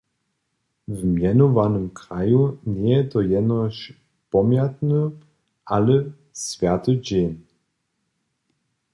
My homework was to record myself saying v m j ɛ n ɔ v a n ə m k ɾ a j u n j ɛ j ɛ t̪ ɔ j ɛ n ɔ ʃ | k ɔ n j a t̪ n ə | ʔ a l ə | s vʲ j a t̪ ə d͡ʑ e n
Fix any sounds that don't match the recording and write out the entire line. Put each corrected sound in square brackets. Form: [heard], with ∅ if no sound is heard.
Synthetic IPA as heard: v m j ɛ n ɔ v a n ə m k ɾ a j u n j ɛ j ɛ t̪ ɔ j ɛ n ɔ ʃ | [p] ɔ [m] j a t̪ n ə | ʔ a l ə | s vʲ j a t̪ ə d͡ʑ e n